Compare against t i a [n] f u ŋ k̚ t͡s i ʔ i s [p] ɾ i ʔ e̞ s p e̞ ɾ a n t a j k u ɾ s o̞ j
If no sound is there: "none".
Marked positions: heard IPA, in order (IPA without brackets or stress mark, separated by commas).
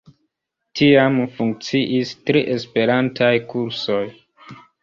m, t